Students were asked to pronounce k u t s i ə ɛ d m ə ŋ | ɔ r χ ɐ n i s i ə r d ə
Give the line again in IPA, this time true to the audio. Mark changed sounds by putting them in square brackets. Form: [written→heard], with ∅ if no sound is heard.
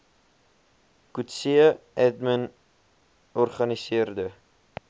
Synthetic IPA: k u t s i ə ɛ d m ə [ŋ→n] | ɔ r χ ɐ n i s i ə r d ə